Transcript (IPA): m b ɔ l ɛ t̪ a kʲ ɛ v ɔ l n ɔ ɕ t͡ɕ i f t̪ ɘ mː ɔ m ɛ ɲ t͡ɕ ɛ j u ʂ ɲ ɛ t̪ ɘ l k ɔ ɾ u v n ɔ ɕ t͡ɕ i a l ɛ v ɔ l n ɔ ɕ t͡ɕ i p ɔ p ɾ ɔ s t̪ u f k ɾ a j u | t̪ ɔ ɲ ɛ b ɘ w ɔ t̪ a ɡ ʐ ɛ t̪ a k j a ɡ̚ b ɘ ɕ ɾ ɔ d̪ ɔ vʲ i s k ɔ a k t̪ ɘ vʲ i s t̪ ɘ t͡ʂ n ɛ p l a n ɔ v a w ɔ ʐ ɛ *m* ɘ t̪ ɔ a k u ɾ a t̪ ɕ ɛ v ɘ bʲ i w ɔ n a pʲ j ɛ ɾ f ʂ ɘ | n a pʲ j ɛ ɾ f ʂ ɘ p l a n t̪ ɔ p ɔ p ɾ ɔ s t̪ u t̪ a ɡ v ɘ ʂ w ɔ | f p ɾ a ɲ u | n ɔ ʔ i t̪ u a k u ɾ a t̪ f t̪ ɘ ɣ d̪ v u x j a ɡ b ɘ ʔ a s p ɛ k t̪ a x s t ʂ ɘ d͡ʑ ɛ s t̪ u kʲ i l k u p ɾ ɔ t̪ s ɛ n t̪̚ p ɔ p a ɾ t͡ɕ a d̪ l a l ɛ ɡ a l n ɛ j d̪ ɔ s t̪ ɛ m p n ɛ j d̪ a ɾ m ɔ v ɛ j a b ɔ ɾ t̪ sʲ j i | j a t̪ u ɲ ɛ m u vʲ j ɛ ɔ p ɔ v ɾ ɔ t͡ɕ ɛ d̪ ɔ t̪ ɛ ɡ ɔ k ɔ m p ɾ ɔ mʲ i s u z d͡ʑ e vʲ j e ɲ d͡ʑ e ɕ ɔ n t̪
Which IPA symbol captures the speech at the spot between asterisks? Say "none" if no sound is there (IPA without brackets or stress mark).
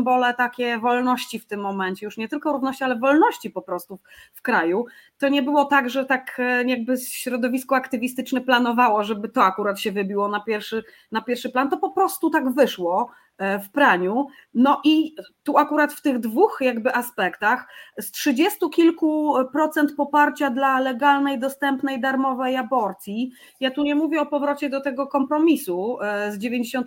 b